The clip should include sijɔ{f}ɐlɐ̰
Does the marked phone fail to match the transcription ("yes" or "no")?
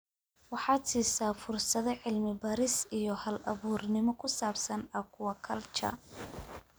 yes